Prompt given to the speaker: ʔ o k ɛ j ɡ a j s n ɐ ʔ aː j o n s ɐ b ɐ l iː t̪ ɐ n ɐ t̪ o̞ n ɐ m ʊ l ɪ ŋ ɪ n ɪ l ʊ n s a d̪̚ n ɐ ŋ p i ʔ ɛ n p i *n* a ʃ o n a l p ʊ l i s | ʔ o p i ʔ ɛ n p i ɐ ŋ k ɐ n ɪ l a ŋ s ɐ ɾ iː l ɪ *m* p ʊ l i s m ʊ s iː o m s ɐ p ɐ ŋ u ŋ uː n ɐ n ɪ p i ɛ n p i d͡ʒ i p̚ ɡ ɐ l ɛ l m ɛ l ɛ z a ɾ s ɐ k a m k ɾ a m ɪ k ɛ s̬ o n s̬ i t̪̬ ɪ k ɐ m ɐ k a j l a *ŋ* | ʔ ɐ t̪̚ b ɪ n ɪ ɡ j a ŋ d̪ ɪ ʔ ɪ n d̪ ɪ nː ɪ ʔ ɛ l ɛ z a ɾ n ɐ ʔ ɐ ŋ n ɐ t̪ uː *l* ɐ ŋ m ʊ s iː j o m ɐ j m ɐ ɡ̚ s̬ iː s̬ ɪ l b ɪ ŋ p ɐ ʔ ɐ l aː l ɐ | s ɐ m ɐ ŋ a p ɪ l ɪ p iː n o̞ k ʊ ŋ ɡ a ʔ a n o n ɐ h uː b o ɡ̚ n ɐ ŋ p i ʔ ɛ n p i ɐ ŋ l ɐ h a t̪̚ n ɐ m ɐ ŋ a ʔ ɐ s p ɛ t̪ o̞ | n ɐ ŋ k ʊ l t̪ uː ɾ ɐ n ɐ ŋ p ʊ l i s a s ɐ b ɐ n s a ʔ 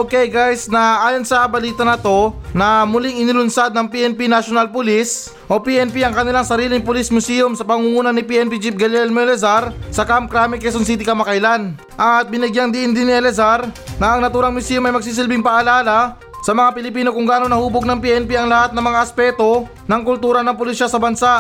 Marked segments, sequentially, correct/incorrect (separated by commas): correct, incorrect, incorrect, incorrect